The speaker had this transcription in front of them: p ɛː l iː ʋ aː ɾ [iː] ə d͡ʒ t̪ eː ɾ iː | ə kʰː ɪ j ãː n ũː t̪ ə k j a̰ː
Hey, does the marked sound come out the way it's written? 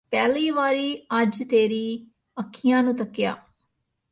yes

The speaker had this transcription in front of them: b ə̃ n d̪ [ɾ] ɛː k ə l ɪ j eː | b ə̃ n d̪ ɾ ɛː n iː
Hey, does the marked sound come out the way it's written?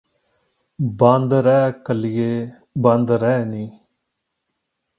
yes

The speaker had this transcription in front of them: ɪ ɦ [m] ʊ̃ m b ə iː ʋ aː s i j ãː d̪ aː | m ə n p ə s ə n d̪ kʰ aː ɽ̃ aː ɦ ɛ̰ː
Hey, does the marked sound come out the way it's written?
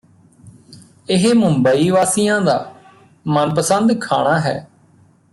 yes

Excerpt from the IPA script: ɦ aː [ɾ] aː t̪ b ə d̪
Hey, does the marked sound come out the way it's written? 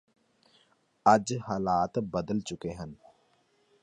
no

